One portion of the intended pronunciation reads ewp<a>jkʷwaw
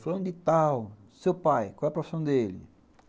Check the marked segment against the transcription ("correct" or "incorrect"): correct